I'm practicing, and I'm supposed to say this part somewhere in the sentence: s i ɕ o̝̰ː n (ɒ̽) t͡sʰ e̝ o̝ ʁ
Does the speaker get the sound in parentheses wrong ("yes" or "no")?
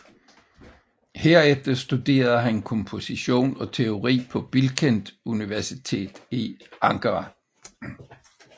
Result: no